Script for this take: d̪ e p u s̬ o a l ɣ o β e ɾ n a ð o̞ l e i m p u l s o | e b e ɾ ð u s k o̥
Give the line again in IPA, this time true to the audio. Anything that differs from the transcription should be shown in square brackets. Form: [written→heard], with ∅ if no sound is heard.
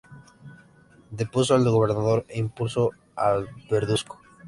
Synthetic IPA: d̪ e p u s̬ o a l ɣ o β e ɾ n a ð o̞ [l→ɾ] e i m p u l s o | [e→a] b e ɾ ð u s k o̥